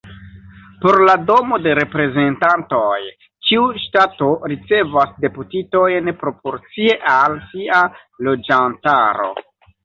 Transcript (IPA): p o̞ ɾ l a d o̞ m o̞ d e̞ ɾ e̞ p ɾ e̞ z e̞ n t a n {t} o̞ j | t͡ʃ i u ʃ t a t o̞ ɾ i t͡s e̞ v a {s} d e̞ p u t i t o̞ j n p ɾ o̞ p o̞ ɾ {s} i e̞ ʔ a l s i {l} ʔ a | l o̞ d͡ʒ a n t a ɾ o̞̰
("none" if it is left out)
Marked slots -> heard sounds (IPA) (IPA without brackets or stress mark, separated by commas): t, s, t͡s, none